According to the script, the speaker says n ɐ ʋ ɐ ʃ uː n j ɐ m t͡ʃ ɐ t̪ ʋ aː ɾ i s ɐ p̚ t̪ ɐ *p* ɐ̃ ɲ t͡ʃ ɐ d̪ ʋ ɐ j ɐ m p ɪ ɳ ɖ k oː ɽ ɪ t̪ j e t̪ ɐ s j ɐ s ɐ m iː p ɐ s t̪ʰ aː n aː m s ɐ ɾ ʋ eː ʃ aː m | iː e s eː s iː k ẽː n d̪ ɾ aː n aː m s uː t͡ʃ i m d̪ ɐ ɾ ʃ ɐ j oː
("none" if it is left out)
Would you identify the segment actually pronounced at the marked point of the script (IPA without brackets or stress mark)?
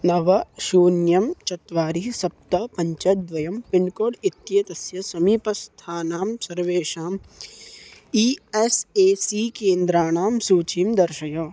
p